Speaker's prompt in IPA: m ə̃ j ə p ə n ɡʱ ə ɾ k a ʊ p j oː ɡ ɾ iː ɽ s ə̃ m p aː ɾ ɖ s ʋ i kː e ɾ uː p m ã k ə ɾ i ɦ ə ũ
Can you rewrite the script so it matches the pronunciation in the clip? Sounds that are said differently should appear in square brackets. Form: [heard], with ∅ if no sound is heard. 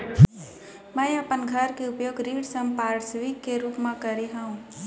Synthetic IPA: m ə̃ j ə p ə n ɡʱ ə ɾ k [e] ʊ p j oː ɡ ɾ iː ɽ s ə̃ m p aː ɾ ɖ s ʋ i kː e ɾ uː p m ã k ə ɾ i ɦ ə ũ